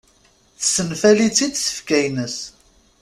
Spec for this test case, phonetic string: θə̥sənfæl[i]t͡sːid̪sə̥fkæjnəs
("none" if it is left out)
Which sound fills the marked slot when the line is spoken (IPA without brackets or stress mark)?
i